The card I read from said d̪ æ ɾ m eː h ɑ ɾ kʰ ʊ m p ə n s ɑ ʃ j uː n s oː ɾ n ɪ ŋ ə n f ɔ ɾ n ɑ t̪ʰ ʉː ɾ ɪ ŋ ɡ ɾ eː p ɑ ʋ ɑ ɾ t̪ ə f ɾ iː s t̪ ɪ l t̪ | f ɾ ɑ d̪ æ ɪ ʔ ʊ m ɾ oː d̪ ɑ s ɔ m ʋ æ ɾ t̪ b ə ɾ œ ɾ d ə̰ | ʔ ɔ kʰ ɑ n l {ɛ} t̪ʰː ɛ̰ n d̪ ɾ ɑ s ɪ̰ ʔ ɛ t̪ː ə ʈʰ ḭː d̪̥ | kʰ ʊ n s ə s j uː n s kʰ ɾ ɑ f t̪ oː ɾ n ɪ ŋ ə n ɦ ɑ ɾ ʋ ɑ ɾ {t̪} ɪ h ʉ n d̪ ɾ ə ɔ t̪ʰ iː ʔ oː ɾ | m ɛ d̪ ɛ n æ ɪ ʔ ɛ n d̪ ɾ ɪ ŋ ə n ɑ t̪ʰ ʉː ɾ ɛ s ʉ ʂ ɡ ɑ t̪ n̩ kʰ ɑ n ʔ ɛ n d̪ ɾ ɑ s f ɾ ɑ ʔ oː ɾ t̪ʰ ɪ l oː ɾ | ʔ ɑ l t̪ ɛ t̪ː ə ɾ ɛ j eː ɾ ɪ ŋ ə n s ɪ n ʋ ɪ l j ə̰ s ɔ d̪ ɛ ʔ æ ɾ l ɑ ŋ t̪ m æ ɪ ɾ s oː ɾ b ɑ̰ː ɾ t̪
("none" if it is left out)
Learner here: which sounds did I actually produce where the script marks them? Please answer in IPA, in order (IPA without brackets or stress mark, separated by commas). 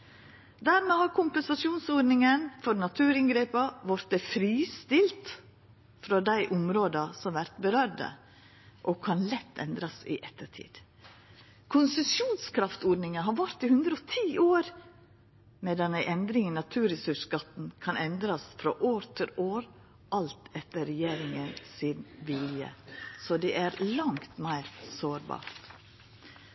ɛ, t̪